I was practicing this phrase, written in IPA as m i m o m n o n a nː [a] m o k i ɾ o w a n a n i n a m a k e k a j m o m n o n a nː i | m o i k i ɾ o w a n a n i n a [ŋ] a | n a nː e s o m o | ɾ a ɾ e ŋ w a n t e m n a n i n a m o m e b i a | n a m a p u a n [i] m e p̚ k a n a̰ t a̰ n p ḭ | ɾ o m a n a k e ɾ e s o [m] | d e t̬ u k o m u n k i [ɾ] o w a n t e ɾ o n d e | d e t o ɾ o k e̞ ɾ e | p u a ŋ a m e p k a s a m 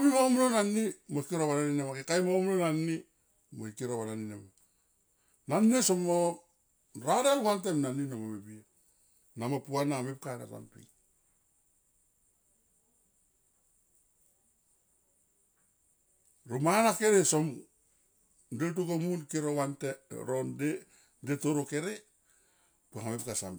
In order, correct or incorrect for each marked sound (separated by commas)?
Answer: incorrect, incorrect, incorrect, correct, correct